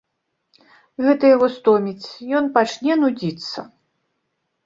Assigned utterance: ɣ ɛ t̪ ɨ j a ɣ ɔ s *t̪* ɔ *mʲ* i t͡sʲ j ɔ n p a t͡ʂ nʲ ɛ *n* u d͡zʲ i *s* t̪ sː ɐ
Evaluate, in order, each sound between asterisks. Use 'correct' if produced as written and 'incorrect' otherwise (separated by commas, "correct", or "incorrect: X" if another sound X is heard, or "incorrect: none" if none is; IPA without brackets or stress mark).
correct, correct, correct, incorrect: none